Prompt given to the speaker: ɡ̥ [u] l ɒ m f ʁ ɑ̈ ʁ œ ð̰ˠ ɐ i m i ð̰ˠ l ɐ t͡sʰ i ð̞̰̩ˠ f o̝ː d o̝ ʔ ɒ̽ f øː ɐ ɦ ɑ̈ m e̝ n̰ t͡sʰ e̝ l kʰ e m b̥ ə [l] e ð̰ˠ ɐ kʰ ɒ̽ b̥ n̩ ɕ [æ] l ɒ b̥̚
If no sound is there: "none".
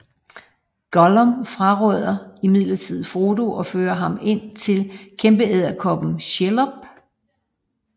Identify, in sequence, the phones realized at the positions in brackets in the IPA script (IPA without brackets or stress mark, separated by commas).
ɒ, none, e